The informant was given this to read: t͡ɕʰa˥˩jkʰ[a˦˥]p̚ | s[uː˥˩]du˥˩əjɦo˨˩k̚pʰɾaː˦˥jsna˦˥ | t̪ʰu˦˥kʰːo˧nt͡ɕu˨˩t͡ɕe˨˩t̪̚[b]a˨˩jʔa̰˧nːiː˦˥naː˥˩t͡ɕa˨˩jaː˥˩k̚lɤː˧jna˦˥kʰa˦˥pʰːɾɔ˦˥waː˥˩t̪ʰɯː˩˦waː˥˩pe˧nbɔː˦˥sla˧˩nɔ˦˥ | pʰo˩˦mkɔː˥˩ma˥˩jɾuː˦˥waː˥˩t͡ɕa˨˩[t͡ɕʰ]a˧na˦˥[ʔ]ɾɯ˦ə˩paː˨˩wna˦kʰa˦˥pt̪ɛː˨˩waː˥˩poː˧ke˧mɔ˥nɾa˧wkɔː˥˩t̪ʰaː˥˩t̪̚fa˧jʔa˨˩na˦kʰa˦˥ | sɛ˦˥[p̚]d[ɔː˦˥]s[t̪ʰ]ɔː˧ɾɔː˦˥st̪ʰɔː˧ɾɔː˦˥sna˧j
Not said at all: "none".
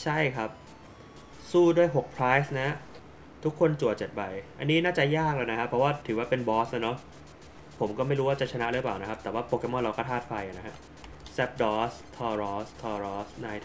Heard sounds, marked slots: a˦˥, uː˥˩, b, t͡ɕʰ, ʔ, p̚, ɔː˦˥, t̪ʰ

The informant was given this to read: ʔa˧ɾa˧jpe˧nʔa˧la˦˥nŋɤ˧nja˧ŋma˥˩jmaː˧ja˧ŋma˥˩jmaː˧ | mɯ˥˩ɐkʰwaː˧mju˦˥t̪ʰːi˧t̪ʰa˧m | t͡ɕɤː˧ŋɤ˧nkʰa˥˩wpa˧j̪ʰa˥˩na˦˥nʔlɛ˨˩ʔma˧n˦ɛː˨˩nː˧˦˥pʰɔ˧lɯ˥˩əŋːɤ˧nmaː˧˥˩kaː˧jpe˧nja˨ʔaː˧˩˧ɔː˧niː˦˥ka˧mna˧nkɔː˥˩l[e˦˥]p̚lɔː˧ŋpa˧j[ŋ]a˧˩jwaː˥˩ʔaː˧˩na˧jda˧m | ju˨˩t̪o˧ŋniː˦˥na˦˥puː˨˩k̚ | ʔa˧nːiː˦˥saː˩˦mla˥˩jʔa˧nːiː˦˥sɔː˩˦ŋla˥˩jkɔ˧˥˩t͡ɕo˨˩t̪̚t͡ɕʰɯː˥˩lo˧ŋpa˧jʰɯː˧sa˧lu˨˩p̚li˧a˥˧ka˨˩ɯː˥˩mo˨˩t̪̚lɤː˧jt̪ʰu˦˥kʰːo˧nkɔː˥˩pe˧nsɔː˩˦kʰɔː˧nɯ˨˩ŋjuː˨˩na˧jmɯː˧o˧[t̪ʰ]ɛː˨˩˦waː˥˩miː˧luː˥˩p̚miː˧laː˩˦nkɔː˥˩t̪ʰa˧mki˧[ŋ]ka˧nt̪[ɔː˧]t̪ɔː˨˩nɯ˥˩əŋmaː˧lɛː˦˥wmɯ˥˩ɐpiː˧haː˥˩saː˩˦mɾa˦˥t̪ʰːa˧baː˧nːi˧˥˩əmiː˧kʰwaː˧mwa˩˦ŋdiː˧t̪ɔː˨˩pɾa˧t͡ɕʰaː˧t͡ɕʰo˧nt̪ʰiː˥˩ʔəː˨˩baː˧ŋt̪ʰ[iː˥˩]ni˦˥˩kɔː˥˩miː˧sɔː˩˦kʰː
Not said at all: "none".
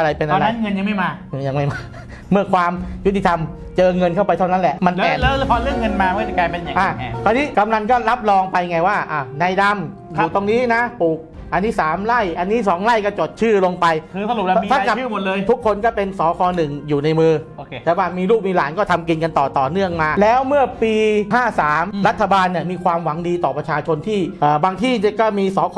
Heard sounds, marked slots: a˦˥, ŋ, t̪, n, ɔː˨˩, iː˥˩

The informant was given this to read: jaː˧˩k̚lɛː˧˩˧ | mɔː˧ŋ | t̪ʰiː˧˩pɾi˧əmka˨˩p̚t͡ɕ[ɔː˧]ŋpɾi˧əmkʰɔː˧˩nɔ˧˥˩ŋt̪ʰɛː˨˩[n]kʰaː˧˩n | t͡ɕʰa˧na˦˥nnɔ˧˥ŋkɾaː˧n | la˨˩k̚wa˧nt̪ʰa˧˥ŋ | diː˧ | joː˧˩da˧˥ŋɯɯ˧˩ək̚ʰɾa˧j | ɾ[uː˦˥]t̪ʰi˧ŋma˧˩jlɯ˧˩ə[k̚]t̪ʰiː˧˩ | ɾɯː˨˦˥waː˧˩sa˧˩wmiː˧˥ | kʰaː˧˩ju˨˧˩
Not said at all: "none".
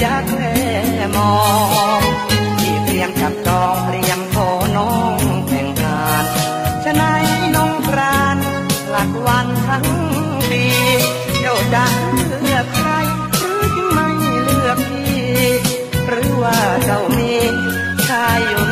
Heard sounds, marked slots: ɔː˧, ŋ, ɯː˦˥, k̚

